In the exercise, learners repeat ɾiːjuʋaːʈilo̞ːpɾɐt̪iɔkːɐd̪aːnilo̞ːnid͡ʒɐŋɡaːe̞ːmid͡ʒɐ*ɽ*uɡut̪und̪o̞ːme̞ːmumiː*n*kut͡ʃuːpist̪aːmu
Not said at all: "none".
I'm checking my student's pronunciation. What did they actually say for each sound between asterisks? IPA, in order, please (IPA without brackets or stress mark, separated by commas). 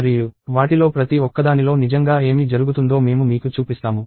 ɾ, none